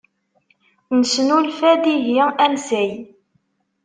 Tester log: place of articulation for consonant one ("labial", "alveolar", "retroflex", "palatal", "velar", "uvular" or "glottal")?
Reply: alveolar